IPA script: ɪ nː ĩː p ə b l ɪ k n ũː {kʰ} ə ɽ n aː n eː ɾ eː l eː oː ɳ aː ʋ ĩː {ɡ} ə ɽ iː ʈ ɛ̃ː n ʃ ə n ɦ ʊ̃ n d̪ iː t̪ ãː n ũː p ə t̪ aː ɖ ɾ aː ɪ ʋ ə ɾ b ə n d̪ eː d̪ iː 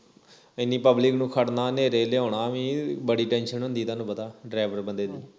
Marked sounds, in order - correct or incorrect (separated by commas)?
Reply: correct, incorrect